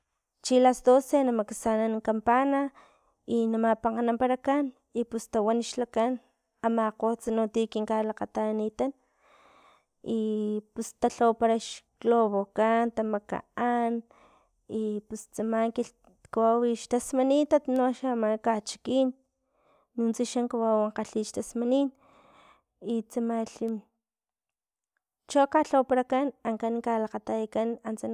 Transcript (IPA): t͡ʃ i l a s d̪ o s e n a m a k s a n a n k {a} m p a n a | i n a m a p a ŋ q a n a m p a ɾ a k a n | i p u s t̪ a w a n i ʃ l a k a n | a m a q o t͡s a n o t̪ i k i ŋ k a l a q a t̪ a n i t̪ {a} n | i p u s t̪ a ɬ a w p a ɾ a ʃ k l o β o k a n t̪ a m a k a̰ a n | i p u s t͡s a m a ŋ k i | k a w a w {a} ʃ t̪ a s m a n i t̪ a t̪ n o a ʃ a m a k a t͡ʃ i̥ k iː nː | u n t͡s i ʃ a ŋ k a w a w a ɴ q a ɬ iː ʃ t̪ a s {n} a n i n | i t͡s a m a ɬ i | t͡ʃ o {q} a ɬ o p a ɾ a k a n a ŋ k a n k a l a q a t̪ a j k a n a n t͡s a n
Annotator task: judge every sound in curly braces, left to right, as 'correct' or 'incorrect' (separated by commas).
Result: correct, correct, incorrect, incorrect, incorrect